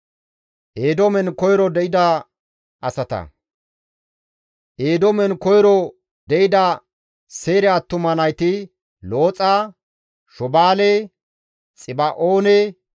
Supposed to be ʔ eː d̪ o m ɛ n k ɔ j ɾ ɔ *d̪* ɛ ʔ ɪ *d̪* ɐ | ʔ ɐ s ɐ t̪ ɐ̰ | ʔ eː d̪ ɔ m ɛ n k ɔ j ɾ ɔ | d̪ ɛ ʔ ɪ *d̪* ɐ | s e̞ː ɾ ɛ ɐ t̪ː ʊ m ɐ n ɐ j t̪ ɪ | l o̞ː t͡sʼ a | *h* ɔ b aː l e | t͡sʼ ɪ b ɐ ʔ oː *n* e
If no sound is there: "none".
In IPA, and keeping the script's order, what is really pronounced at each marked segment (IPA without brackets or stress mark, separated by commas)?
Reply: d̪, d̪, d̪, ʃ, n